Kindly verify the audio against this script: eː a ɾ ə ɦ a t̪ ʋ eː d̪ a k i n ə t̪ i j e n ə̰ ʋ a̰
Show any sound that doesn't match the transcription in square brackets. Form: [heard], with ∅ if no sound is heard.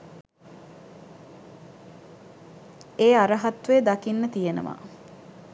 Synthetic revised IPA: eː a ɾ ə ɦ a t̪ ʋ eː d̪ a k i [nː] ə t̪ i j e n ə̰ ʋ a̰